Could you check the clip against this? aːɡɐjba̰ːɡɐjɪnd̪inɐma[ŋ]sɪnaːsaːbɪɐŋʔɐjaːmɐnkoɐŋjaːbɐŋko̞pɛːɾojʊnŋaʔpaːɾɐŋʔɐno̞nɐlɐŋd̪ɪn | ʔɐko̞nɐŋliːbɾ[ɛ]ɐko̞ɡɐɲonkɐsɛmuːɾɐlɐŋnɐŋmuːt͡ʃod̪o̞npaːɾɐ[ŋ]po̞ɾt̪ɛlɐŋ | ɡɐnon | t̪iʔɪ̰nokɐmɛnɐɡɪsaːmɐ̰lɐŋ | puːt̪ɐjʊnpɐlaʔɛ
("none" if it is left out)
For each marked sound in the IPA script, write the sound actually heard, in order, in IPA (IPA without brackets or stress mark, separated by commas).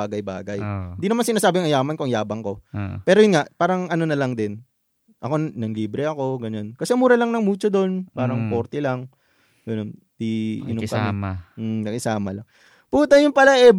n, ɛ, ŋ